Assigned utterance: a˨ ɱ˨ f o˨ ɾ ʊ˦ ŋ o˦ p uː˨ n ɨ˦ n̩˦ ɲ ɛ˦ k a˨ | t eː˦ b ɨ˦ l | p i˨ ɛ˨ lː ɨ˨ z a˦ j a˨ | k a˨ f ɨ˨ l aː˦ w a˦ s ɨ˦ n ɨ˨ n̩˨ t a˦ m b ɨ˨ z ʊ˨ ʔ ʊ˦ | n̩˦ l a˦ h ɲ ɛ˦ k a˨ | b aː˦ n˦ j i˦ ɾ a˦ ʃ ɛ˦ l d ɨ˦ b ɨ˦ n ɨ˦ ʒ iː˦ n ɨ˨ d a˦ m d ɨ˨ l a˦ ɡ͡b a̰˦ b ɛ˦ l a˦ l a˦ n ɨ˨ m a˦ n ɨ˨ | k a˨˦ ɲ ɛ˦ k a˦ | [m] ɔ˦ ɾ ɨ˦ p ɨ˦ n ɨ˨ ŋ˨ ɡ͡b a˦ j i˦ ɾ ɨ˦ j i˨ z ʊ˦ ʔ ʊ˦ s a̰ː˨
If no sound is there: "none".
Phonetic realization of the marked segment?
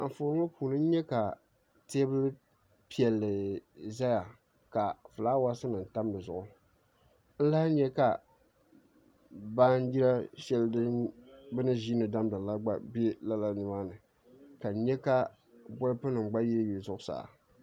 b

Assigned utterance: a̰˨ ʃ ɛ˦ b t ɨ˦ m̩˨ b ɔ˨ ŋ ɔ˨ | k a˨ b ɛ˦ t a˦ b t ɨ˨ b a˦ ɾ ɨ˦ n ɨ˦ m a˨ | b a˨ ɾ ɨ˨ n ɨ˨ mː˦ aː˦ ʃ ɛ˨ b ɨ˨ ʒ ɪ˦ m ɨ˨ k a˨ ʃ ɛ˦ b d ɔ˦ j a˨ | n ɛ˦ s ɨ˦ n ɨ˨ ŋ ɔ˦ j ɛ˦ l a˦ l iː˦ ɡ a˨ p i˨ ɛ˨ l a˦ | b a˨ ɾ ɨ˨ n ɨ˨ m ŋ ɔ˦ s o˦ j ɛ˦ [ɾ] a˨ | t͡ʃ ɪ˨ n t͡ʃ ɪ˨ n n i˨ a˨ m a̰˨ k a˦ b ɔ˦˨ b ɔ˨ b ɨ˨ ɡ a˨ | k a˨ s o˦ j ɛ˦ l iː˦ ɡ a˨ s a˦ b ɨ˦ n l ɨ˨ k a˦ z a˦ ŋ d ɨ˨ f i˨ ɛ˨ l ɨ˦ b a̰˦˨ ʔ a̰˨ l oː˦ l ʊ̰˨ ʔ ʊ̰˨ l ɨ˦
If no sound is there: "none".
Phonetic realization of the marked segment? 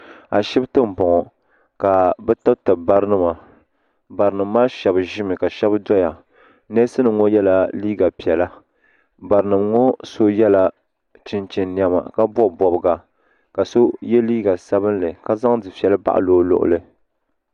l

